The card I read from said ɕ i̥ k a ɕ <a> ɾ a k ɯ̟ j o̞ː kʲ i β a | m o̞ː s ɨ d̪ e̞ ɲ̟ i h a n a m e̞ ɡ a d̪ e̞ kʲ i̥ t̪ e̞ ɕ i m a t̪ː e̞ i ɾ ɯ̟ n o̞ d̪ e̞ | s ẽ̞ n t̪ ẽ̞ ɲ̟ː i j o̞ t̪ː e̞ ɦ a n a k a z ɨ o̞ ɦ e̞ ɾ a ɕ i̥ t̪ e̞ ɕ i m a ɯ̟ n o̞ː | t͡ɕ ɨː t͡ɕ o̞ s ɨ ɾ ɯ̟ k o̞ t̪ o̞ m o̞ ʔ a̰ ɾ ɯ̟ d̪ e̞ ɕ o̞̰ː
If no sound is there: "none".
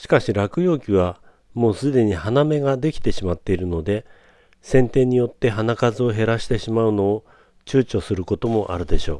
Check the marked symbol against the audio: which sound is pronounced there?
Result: i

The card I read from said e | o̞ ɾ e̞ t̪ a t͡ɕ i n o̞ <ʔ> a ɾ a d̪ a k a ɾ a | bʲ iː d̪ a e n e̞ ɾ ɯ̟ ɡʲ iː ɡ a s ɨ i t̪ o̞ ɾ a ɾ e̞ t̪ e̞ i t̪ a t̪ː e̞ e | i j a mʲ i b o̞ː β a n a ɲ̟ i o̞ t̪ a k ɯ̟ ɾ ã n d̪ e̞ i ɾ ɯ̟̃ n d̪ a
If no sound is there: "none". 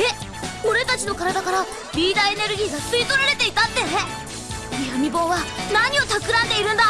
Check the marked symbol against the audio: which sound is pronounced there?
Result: k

